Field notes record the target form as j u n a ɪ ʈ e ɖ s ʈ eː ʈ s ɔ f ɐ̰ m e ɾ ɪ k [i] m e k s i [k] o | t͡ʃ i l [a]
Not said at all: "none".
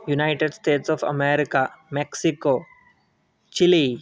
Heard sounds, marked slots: a, k, i

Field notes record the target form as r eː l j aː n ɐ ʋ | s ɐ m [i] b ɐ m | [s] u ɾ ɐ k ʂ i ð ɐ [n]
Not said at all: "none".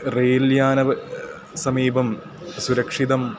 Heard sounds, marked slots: iː, s, m

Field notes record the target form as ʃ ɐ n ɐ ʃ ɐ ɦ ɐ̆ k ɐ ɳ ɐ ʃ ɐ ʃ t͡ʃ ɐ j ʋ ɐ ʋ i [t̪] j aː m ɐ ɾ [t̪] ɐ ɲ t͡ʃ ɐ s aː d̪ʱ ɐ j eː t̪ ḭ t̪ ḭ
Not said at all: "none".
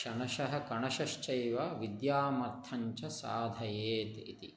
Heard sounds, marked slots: d̪, t̪ʰ

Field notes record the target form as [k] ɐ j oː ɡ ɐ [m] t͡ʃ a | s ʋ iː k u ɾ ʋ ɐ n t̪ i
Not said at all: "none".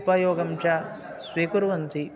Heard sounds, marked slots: p, m

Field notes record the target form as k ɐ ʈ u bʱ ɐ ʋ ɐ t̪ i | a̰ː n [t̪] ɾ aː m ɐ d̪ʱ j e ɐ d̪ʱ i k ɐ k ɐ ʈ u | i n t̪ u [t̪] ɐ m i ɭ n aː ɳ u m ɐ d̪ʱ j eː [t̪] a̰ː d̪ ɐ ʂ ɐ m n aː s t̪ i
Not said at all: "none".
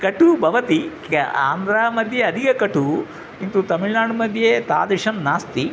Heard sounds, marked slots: d̪, t̪, t̪

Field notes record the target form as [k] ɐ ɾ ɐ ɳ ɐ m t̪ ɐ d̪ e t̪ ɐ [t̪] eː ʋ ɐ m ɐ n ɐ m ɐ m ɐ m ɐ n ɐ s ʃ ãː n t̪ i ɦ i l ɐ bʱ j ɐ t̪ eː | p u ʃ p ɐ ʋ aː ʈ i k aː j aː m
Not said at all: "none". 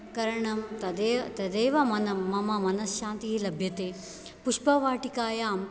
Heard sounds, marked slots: k, d̪

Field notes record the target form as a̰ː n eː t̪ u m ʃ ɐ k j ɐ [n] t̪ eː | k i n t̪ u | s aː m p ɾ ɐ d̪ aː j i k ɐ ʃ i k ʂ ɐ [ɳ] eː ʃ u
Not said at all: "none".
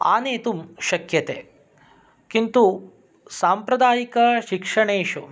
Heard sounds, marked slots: none, ɳ

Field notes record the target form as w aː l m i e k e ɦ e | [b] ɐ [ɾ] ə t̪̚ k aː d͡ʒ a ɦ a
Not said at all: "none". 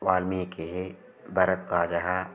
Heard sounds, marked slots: b, ɾ

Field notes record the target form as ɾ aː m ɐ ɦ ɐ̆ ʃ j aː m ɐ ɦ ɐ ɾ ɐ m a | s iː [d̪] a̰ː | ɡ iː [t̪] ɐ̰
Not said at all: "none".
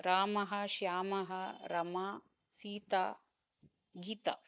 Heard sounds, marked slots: t̪, t̪

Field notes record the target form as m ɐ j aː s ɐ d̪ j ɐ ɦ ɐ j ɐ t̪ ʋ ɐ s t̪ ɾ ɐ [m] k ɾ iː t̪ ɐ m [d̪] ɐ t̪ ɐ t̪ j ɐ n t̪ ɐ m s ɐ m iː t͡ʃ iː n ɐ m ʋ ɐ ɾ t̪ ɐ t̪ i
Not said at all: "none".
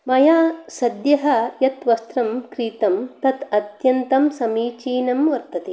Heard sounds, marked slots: m, t̪

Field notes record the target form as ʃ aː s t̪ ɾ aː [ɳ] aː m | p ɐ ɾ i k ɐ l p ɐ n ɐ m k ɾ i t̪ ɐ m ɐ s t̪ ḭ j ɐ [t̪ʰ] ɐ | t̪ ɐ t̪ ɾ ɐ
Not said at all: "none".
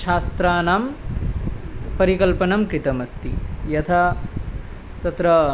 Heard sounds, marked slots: n, t̪ʰ

